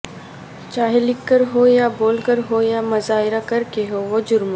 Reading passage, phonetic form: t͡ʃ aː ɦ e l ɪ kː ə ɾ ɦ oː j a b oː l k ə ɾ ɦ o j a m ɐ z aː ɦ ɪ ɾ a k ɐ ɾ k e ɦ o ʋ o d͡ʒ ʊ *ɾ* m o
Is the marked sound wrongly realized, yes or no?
no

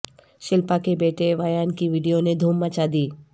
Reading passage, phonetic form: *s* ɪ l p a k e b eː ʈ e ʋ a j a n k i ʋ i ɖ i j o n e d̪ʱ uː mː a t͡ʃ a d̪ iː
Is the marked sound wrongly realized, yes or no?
yes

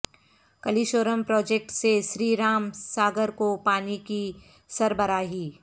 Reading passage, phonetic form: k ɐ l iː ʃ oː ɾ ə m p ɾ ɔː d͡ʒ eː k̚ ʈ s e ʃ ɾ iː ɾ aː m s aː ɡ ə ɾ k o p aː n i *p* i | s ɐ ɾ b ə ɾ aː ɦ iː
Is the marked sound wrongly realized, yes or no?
yes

